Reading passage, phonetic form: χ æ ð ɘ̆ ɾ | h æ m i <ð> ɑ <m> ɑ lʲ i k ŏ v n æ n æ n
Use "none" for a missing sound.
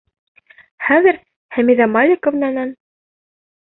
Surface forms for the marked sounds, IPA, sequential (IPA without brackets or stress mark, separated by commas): ð, m